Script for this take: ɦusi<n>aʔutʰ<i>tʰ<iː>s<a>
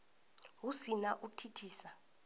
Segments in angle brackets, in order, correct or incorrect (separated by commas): correct, correct, correct, correct